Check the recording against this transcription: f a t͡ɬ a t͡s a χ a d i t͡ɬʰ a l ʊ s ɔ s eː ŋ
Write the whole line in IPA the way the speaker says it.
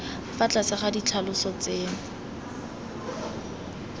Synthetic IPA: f a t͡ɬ a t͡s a χ a d i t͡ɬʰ a l ʊ s ɔ t͡s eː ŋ

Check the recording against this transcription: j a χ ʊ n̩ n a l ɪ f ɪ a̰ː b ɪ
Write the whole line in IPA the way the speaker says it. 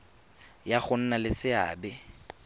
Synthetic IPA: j a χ ʊ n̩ n a l ɪ s ɪ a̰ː b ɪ

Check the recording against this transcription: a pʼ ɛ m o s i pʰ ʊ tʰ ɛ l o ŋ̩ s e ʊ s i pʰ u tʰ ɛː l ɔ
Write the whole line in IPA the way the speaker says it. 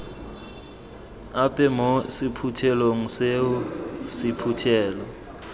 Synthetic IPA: a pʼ ɛ m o s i pʰ u tʰ ɛ l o ŋ̩ s e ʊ s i pʰ u tʰ ɛː l ɔ

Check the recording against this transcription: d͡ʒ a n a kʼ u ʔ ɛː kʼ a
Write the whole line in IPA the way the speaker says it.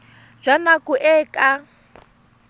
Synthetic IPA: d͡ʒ a n a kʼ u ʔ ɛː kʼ a

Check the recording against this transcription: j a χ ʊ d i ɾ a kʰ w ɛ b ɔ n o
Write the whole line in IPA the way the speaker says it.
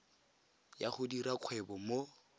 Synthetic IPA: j a χ ʊ d i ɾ a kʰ w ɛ b ɔ m o

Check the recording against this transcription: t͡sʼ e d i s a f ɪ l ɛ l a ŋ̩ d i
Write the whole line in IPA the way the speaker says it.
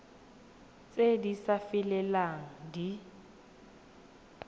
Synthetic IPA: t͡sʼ e d i s a f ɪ l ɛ l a ŋ̩ d i

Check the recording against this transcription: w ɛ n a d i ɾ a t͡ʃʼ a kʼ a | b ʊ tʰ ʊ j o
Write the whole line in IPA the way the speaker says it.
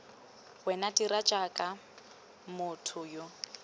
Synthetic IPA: w ɛ n a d i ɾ a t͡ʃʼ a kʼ a | m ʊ tʰ ʊ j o

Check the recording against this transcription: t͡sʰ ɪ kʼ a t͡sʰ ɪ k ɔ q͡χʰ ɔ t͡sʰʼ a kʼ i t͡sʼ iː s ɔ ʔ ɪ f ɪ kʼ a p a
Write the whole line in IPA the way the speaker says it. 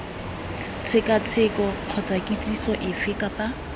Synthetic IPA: t͡sʰ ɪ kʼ a t͡sʰ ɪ k ɔ q͡χʰ ɔ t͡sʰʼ a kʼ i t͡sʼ i s ɔ ʔ ɪ f ɪ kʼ a p a

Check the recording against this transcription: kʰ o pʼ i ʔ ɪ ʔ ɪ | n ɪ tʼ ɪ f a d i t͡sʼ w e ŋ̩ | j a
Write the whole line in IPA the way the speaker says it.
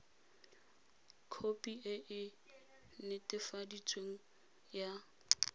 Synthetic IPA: kʰ o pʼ i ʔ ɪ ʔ ɪ | n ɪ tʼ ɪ f a d i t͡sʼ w e ŋ̩ | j a

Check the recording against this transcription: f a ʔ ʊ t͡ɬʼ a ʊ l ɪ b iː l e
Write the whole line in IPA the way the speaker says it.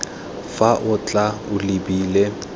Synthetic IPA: f a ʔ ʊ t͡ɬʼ a ʊ l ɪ b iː l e

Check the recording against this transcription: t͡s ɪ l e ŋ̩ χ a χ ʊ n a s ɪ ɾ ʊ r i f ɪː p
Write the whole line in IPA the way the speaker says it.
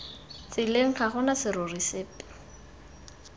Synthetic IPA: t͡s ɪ l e ŋ̩ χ a χ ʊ n a s ɪ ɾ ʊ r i s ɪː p

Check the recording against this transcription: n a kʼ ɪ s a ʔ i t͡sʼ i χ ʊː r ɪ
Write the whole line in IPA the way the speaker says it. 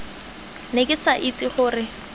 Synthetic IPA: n e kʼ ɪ s a ʔ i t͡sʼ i χ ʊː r ɪ

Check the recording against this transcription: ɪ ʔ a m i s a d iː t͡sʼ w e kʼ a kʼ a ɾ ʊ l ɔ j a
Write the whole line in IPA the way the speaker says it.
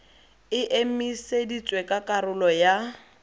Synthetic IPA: ɪ ʔ e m i s e d i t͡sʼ w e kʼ a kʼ a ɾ ʊ l ɔ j a

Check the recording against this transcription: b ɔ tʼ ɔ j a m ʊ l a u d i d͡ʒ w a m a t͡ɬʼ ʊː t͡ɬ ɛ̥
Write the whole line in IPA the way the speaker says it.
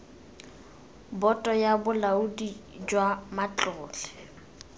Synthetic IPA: b ɔ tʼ ɔ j a b ʊ l a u d i d͡ʒ w a m a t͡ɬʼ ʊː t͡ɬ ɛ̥

